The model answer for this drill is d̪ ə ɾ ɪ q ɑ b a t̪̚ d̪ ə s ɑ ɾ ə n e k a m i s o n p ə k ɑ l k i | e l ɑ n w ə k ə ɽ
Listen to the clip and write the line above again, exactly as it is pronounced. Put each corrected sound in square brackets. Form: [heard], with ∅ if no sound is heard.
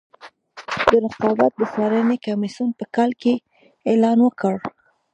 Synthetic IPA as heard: d̪ ə ɾ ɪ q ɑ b a t̪̚ d̪ ə s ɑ ɾ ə n e k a m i s [u] n p ə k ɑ l k [e] | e l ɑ n w ə k ə ɽ